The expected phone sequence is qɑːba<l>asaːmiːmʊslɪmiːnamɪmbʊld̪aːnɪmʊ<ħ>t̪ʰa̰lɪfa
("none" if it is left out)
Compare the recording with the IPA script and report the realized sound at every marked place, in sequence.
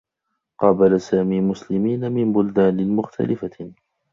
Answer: l, x

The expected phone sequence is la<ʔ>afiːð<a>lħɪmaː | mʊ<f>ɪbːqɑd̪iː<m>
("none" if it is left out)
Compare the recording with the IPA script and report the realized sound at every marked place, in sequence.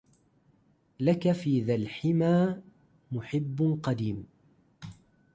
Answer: k, a, ħ, m

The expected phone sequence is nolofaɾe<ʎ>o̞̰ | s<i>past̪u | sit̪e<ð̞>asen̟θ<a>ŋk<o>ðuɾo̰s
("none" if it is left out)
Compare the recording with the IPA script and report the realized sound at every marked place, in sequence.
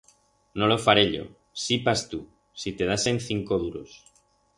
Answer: ʎ, i, ð̞, i, o

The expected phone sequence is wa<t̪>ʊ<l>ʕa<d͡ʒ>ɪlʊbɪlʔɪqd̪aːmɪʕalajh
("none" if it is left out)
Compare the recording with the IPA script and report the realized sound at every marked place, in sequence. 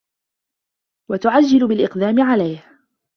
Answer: t̪, none, d͡ʒː

